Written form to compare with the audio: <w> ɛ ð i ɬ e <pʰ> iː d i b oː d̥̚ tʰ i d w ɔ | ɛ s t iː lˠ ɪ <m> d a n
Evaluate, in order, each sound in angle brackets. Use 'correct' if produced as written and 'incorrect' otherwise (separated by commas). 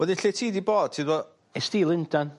correct, incorrect, incorrect